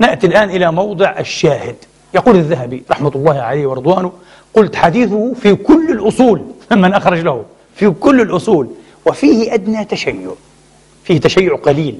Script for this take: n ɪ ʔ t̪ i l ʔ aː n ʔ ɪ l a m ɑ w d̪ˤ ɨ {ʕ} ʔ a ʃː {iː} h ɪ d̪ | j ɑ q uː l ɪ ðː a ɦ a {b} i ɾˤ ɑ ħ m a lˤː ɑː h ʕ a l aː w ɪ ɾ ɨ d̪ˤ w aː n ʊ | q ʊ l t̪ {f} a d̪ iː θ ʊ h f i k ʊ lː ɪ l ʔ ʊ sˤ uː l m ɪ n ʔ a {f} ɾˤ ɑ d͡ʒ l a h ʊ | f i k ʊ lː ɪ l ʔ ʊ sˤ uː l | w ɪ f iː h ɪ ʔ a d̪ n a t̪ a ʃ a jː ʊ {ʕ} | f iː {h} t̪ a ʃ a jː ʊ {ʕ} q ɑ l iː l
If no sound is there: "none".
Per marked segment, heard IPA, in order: ʕ, aː, b, ħ, x, ʕ, h, ʕ

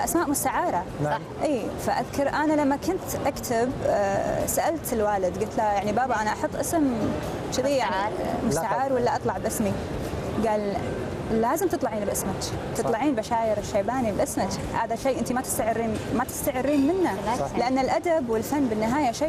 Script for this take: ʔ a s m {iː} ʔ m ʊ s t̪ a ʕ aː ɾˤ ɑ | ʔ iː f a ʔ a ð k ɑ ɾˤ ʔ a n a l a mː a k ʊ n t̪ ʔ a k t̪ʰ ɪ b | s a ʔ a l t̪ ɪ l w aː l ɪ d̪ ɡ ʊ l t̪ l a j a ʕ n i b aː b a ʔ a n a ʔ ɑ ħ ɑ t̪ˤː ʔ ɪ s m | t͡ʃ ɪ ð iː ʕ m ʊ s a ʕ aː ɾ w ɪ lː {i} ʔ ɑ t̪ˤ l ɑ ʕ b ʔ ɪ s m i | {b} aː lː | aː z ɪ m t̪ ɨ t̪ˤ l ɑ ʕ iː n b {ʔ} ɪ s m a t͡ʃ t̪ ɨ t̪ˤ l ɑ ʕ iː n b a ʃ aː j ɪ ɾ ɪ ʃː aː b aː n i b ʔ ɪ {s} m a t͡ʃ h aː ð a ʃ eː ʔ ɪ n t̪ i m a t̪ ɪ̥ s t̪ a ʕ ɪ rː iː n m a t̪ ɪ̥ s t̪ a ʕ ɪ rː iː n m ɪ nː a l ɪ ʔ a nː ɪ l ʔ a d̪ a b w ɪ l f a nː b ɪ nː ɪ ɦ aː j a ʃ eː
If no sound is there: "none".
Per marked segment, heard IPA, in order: aː, a, ɡ, ʔ, s

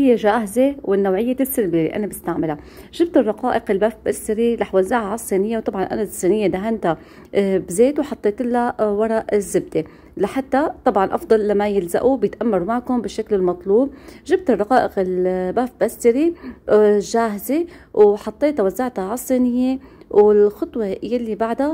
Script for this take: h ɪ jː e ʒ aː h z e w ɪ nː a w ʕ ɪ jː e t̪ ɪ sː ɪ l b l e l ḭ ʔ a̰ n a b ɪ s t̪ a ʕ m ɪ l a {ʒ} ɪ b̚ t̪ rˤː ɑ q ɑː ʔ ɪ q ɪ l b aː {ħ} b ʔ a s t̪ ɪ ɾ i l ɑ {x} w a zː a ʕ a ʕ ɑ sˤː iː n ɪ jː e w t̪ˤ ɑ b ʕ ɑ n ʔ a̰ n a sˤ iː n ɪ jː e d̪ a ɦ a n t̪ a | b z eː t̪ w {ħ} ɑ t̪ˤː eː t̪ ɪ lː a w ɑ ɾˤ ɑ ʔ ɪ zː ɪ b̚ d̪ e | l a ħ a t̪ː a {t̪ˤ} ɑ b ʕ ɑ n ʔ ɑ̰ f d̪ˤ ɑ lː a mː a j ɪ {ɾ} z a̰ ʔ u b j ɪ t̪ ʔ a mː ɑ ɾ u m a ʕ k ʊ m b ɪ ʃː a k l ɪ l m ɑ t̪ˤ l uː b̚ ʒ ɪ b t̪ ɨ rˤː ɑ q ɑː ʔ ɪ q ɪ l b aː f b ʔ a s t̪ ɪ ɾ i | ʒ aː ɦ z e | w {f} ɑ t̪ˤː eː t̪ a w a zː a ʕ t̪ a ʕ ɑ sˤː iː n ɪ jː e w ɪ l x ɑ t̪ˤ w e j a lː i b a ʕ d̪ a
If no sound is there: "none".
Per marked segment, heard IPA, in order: ʒ, f, ħ, ħ, t̪ˤ, l, ħ

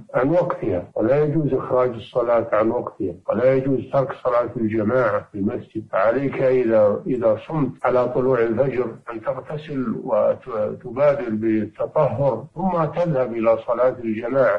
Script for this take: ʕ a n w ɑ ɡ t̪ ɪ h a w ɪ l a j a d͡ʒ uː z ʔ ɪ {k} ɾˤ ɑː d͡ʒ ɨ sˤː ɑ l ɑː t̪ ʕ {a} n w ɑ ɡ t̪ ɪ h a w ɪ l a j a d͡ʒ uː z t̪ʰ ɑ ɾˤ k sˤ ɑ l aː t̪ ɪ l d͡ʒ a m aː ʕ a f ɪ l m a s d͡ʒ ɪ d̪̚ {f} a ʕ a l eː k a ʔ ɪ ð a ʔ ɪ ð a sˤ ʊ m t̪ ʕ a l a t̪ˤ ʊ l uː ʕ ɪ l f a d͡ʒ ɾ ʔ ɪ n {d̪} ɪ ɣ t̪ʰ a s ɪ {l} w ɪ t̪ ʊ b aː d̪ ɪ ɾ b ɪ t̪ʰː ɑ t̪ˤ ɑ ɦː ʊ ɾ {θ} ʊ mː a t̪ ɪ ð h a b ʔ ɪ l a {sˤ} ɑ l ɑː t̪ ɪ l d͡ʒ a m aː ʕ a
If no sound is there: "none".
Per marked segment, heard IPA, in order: x, a, f, t̪, l, θ, sˤ

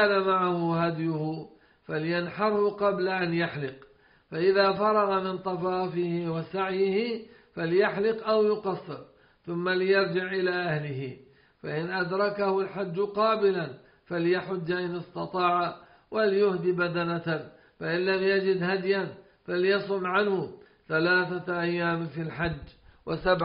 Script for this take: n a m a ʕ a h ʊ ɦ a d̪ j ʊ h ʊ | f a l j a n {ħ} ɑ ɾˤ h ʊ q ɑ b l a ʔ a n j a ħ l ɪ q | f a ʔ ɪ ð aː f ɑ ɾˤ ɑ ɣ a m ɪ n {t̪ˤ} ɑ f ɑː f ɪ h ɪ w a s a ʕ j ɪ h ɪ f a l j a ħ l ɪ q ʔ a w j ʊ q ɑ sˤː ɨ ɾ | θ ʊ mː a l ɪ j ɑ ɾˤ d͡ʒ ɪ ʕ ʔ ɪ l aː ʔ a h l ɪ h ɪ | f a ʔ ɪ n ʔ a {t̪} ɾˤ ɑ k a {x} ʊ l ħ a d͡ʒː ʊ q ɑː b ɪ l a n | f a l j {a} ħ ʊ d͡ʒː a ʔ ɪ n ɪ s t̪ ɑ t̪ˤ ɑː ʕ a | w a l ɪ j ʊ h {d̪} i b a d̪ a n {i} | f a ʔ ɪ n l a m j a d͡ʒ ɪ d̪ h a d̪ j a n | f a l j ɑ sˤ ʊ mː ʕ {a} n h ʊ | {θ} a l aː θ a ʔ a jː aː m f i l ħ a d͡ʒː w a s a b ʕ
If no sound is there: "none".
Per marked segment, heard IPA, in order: ħ, t̪ˤ, d̪, h, a, d̪, a, a, θ

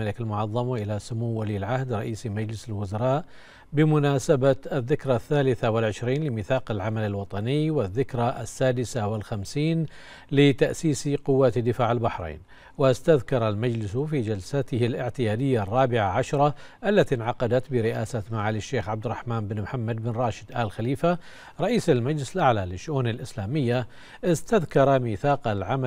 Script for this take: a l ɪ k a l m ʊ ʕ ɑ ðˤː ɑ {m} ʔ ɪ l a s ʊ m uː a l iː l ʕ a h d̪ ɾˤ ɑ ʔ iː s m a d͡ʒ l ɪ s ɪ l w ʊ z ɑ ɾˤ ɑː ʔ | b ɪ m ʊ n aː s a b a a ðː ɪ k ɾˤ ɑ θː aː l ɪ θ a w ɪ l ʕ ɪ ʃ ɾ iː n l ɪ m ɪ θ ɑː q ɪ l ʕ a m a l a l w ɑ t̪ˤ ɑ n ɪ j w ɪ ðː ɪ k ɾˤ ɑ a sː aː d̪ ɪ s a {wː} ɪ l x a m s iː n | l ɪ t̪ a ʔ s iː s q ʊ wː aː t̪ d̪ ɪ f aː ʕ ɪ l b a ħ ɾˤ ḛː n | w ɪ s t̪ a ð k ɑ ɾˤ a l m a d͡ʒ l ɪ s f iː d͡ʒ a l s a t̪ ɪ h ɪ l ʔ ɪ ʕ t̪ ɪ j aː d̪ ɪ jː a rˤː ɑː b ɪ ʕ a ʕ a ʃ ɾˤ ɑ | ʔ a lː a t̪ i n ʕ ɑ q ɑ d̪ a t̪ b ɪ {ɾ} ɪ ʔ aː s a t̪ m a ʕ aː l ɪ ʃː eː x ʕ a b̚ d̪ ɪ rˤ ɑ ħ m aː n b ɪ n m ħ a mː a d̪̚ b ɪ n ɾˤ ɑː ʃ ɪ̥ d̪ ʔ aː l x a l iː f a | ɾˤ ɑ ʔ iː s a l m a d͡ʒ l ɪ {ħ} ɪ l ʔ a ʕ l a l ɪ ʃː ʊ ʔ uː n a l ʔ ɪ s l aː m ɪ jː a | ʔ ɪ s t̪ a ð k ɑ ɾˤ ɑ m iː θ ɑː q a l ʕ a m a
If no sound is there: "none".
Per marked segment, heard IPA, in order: m, w, ɾ, s

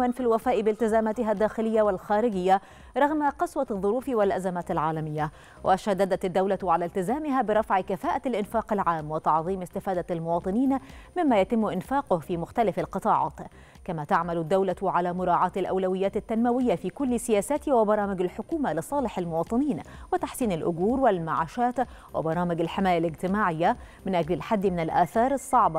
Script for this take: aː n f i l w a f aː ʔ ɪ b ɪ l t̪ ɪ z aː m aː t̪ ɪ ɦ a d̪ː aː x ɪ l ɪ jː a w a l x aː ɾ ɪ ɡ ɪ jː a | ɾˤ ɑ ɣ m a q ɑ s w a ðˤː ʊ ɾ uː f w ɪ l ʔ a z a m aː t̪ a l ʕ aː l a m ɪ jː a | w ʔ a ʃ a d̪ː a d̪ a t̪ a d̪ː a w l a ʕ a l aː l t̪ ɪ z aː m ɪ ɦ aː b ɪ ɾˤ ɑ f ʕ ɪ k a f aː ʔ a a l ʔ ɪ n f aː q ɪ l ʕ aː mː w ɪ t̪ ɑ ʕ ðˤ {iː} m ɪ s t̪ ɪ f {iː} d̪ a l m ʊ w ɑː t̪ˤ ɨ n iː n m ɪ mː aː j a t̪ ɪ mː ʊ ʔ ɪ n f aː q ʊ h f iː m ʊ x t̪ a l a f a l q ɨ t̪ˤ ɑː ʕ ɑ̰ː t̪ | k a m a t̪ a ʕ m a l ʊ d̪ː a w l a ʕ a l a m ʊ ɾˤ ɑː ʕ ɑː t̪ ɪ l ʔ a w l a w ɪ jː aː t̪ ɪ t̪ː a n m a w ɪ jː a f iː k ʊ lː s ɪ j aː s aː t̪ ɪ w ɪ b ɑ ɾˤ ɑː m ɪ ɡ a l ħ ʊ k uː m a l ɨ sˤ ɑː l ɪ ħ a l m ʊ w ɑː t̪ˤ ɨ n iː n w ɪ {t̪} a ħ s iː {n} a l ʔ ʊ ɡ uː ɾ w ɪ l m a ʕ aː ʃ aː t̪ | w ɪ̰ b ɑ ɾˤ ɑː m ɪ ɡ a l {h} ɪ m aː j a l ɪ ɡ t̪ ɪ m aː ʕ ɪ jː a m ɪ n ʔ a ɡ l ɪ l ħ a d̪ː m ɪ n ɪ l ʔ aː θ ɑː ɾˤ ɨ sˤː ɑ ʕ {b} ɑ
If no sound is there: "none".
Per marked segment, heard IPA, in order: iː, aː, t̪, n, ħ, b

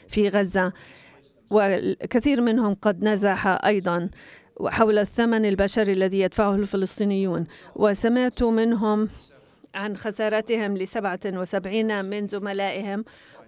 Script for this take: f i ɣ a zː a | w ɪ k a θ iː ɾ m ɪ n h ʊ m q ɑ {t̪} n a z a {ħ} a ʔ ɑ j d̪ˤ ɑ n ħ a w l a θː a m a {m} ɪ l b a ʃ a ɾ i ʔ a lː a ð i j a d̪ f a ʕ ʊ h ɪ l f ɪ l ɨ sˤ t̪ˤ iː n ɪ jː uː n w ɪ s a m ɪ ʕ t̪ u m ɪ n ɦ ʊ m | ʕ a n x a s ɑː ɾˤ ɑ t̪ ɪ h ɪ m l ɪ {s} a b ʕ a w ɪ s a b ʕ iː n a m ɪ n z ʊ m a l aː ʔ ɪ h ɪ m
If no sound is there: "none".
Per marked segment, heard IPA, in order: d̪, ħ, n, s

